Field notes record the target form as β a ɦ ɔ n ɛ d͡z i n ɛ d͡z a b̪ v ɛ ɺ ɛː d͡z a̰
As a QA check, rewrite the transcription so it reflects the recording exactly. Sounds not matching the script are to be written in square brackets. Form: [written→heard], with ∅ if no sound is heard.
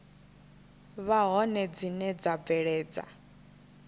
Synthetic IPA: β a ɦ ɔ n ɛ d͡z i n ɛ d͡z a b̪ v ɛ ɺ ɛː d͡z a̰